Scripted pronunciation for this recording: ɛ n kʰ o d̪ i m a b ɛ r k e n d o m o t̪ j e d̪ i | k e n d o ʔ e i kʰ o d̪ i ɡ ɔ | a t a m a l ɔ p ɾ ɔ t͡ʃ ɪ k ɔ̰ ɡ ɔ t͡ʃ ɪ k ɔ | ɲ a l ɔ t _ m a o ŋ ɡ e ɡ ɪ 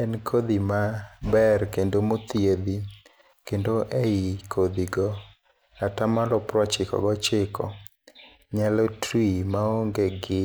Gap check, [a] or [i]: i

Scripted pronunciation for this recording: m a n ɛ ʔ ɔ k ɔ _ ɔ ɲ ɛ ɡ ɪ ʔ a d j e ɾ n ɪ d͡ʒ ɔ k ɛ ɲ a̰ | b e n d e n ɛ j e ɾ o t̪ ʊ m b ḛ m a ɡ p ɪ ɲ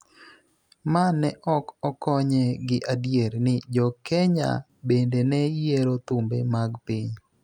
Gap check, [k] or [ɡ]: k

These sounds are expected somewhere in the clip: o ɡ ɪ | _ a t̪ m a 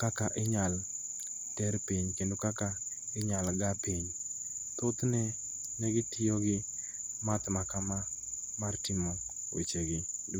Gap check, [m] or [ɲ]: m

